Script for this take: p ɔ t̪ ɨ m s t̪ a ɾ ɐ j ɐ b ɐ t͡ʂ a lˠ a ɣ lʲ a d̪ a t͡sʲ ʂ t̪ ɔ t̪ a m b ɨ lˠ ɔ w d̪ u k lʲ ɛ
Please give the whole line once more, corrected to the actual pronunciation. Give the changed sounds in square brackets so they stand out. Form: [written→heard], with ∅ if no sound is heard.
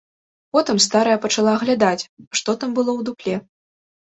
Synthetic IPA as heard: p ɔ t̪ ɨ m s t̪ a ɾ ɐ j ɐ [b→p] ɐ t͡ʂ a lˠ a ɣ lʲ a d̪ a t͡sʲ ʂ t̪ ɔ t̪ a m b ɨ lˠ ɔ w d̪ u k lʲ ɛ